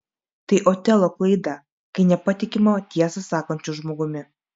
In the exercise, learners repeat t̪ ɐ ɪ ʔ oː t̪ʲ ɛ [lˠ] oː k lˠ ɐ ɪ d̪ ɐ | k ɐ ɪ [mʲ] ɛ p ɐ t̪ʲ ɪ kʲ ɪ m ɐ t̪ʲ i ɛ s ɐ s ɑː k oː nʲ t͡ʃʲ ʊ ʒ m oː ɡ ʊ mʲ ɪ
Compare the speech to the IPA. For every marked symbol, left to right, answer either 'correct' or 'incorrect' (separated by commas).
correct, incorrect